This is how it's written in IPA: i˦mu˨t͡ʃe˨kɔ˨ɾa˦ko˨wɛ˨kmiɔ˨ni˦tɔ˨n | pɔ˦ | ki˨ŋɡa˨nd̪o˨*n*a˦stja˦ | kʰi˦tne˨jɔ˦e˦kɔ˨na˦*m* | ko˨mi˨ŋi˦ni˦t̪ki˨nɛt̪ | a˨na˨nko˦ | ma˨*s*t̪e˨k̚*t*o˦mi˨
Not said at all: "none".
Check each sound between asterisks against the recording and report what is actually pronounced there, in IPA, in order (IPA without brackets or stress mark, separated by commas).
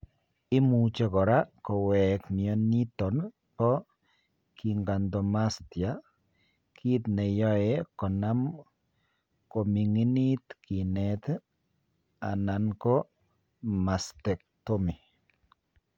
m, m, s, t